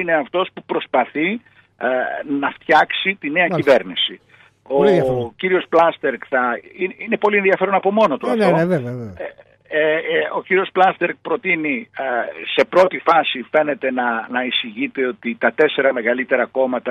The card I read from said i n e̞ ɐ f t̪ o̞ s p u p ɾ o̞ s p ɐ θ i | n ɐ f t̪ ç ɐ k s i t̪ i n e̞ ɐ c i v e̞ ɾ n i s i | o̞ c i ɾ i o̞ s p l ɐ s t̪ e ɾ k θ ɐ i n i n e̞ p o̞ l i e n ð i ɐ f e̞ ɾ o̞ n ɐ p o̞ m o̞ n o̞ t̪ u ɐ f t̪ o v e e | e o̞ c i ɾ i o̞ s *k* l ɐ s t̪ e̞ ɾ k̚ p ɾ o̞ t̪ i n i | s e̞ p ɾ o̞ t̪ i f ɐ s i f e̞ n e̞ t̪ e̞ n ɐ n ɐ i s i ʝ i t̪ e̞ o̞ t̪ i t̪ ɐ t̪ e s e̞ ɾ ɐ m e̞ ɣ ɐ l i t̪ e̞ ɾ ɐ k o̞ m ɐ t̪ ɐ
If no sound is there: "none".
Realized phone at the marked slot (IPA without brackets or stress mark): p